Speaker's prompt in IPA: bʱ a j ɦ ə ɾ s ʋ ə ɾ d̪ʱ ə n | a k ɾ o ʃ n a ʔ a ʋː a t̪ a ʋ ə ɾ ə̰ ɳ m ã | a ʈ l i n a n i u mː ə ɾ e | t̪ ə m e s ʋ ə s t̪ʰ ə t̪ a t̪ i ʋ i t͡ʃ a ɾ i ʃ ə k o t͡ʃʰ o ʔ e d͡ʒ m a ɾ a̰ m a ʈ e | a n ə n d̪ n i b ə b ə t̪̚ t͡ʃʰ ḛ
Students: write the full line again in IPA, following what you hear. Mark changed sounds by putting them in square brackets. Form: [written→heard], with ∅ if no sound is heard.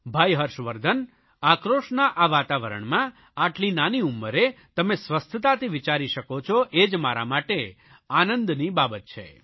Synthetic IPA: bʱ a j ɦ ə ɾ [s→ʃ] ʋ ə ɾ d̪ʱ ə n | a k ɾ o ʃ n a ʔ a [ʋː→ʋ] a t̪ a ʋ ə ɾ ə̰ ɳ m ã | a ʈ l i n a n i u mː ə ɾ e | t̪ ə m e s ʋ ə s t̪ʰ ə t̪ a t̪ i ʋ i t͡ʃ a ɾ i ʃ ə k o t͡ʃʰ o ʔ e d͡ʒ m a ɾ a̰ m a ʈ e | a n ə n d̪ n i b [ə→a] b ə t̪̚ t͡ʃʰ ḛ

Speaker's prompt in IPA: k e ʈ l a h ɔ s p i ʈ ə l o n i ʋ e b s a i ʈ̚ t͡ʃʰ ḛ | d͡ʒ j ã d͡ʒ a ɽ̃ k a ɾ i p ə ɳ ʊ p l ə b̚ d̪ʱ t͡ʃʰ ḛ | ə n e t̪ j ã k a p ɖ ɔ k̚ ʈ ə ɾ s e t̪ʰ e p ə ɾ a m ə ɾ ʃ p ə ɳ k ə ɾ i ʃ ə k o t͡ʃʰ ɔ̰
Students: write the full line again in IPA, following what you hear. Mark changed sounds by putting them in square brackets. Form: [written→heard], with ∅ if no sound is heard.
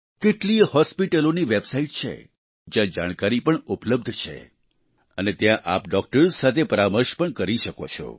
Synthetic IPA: k e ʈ l [a→i] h ɔ s p i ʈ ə l o n i ʋ e b s a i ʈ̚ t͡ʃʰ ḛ | d͡ʒ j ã d͡ʒ a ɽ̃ k a ɾ i p ə ɳ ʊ p l ə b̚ d̪ʱ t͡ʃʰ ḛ | ə n e t̪ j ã [k→ʔ] a p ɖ ɔ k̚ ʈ ə ɾ s [e→a] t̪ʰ e p ə ɾ a m ə ɾ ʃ p ə ɳ k ə ɾ i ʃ ə k o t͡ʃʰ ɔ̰

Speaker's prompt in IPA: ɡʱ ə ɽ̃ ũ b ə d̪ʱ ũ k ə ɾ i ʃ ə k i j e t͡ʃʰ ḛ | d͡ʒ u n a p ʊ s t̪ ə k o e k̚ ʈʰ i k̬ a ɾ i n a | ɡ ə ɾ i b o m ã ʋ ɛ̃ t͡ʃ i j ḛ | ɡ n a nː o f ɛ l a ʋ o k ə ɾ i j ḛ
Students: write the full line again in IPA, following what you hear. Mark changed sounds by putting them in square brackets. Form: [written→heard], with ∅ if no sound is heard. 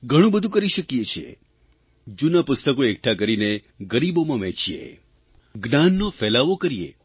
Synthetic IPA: ɡʱ ə ɽ̃ ũ b ə d̪ʱ ũ k ə ɾ i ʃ ə k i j e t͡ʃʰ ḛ | d͡ʒ u n a p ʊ s t̪ ə k o e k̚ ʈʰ [i→a] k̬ [a→ə] ɾ i n [a→e] | ɡ ə ɾ i b o m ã ʋ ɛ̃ t͡ʃ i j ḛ | ɡ n a nː o f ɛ l a ʋ o k ə ɾ i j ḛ

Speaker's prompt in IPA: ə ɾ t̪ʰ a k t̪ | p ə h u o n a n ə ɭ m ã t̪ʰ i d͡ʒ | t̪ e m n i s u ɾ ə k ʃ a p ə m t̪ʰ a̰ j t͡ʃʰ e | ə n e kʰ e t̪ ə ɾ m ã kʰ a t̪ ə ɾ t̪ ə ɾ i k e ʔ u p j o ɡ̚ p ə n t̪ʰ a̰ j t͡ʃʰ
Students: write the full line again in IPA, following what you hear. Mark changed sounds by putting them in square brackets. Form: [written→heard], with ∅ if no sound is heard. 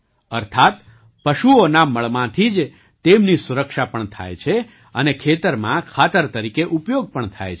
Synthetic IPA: ə ɾ t̪ʰ a [k→∅] t̪ | p ə [h→ʃ] u o n a [n→m] ə ɭ m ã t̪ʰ i d͡ʒ | t̪ e m n i s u ɾ ə k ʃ a p ə [m→ɳ] t̪ʰ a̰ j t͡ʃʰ e | ə n e kʰ e t̪ ə ɾ m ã kʰ a t̪ ə ɾ t̪ ə ɾ i k e ʔ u p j o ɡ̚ p ə [n→ɳ] t̪ʰ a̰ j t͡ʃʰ

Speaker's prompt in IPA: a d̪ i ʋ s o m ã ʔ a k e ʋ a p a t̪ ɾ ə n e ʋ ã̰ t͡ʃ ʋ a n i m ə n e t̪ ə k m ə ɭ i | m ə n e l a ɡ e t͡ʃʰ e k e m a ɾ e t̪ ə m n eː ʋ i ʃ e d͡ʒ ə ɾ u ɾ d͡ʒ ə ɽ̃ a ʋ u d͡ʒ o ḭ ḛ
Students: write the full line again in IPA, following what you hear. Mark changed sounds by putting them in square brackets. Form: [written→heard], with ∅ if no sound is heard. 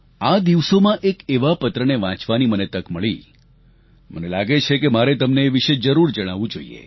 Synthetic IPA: a d̪ i ʋ s o m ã ʔ [a→e] k e ʋ a p [a→ə] t̪ ɾ ə n e ʋ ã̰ t͡ʃ ʋ a n i m ə n e t̪ ə k m ə ɭ i | m ə n e l a ɡ e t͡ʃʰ e k e m a ɾ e t̪ ə m n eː ʋ i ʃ e d͡ʒ ə ɾ u ɾ d͡ʒ ə ɽ̃ a ʋ [u→ũ] d͡ʒ o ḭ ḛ

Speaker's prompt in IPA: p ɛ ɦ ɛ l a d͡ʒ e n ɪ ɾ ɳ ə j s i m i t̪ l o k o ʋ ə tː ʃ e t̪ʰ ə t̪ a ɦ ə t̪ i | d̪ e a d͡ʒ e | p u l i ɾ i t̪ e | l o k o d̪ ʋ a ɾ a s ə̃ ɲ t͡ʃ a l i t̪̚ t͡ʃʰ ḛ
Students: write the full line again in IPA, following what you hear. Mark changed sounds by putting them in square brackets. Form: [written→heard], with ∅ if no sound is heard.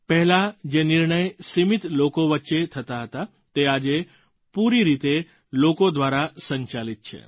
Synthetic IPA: p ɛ ɦ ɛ l a d͡ʒ e n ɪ ɾ ɳ ə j s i m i t̪ l o k o ʋ ə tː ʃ e t̪ʰ ə t̪ a ɦ ə t̪ [i→a] | [d̪→t̪] e a d͡ʒ e | p u [l→ɾ] i ɾ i t̪ e | l o k o d̪ ʋ a ɾ a s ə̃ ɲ t͡ʃ a l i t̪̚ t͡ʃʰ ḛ

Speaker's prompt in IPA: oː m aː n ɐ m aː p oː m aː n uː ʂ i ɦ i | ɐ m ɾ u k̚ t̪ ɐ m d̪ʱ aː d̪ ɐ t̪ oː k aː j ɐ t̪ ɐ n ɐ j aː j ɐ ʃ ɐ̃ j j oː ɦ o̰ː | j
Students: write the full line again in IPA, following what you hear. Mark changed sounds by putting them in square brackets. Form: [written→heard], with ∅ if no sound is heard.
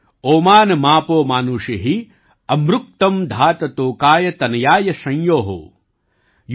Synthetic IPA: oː m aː n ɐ m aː p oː m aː n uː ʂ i ɦ i | ɐ m ɾ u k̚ t̪ ɐ m d̪ʱ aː [d̪→t̪] ɐ t̪ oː k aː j ɐ t̪ ɐ n ɐ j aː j ɐ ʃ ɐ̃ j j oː ɦ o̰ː | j

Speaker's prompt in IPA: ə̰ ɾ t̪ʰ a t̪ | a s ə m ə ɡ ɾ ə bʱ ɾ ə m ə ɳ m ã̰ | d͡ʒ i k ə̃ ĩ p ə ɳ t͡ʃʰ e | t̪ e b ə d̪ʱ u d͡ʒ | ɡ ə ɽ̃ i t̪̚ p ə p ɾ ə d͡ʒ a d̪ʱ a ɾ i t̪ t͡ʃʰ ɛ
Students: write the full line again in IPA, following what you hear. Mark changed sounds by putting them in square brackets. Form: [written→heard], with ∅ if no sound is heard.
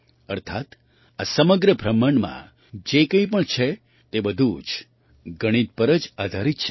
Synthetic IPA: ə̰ ɾ t̪ʰ a t̪ | a s ə m ə ɡ ɾ ə bʱ ɾ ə m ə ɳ m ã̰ | d͡ʒ [i→e] k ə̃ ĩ p ə ɳ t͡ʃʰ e | t̪ e b ə d̪ʱ u d͡ʒ | ɡ ə ɽ̃ i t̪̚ p ə [p→∅] ɾ ə d͡ʒ a d̪ʱ a ɾ i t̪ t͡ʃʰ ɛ

